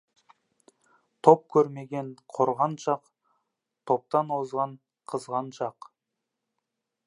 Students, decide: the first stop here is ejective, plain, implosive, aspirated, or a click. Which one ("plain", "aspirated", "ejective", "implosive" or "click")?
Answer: aspirated